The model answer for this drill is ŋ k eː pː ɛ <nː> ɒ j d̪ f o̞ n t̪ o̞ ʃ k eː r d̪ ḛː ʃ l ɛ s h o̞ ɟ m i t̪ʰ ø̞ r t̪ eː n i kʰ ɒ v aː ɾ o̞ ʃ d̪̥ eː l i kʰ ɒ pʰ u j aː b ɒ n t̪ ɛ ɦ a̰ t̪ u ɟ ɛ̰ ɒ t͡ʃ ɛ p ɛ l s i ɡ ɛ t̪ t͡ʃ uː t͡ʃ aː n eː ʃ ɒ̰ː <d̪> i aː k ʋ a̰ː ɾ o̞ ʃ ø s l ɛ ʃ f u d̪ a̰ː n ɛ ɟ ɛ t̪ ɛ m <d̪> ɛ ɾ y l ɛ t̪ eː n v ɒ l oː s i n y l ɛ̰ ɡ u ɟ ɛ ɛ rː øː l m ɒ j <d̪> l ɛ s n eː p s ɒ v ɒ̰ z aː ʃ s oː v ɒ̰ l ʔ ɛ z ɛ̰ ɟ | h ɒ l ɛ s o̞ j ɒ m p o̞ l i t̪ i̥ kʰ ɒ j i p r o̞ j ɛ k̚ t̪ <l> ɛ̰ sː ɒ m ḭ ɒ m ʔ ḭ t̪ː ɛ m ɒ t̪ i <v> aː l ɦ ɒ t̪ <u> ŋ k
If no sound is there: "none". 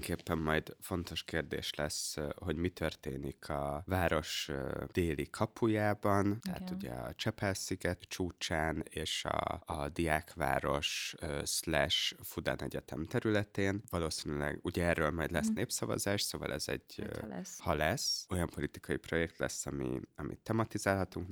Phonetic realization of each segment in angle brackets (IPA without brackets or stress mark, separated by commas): mː, d̪, t̪, d̪, l, z, u